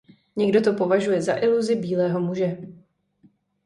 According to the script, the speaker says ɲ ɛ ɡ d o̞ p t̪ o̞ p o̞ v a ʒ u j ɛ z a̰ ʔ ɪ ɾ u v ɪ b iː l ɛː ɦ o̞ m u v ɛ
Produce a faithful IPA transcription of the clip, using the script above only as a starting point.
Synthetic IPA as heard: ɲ ɛ ɡ d o̞ t̪ o̞ p o̞ v a ʒ u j ɛ z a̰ ʔ ɪ l u z ɪ b iː l ɛː ɦ o̞ m u ʒ ɛ